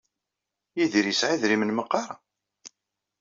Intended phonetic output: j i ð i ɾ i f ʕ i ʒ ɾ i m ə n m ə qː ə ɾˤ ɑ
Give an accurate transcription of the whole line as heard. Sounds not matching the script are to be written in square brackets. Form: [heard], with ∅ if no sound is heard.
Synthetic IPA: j i ð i ɾ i [s] ʕ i [ð] ɾ i m ə n m ə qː [ɑ] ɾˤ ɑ